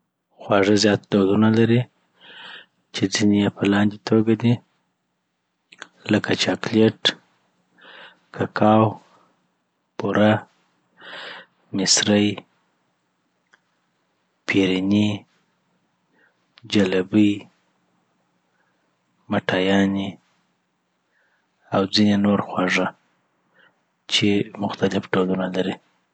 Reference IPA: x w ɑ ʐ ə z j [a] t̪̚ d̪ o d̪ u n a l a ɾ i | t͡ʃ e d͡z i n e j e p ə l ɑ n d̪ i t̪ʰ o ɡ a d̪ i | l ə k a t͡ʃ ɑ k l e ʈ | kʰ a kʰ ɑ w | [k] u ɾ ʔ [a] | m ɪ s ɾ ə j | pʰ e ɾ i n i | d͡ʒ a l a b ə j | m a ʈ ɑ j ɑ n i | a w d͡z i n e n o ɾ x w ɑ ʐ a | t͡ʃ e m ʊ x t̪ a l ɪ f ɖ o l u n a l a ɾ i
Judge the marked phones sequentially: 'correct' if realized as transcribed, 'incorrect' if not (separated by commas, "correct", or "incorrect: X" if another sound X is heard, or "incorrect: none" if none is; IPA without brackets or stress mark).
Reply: incorrect: ɑ, incorrect: p, correct